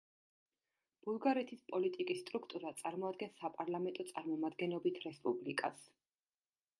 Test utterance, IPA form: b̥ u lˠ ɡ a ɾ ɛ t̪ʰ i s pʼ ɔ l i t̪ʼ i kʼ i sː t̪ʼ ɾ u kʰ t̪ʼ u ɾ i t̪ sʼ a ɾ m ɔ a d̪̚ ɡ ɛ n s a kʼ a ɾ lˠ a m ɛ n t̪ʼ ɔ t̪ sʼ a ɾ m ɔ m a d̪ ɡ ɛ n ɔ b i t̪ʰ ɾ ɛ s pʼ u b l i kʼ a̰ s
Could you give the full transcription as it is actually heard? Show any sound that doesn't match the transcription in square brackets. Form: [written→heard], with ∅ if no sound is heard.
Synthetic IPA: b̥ u lˠ ɡ a ɾ ɛ t̪ʰ i s pʼ ɔ l i t̪ʼ i kʼ i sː t̪ʼ ɾ u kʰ t̪ʼ u ɾ [i→a] t̪ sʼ a ɾ m ɔ a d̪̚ ɡ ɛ n s a [kʼ→pʼ] a ɾ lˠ a m ɛ n t̪ʼ ɔ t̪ sʼ a ɾ m ɔ m a d̪ ɡ ɛ n ɔ b i t̪ʰ ɾ ɛ s pʼ u b l i kʼ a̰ s